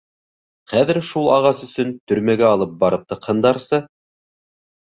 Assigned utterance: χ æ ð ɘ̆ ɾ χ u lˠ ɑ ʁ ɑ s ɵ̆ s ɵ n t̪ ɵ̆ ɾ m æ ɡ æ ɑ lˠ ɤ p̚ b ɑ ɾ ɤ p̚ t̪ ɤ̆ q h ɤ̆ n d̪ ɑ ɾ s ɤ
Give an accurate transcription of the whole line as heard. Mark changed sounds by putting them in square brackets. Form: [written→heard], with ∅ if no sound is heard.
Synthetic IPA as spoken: χ æ ð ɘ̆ ɾ [χ→ʃ] u lˠ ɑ ʁ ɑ s ɵ̆ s ɵ n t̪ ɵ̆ ɾ m æ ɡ æ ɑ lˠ ɤ p̚ b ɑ ɾ ɤ p̚ t̪ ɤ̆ q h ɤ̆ n d̪ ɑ ɾ s ɤ